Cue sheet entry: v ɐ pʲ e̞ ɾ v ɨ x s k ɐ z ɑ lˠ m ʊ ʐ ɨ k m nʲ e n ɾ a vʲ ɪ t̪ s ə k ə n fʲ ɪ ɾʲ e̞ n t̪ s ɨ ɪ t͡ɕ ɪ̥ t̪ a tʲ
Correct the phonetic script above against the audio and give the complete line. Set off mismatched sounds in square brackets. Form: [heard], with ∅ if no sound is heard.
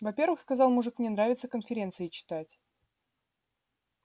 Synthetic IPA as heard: v ɐ pʲ e̞ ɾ v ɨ x s k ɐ z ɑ lˠ m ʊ ʐ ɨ k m nʲ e n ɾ a vʲ ɪ t̪ s ə k ə n fʲ ɪ ɾʲ e̞ n t̪ s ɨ ɪ t͡ɕ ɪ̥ t̪ a tʲ